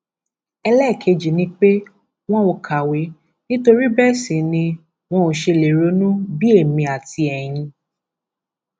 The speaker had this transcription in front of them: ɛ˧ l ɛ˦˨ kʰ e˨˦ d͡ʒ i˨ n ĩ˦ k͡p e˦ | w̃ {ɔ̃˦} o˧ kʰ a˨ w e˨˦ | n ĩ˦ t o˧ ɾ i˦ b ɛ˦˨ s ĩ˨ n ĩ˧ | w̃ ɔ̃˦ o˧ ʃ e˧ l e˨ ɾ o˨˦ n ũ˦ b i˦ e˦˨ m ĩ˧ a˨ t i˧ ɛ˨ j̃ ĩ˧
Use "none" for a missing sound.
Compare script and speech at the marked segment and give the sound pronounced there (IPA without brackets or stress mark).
ɔ̃˦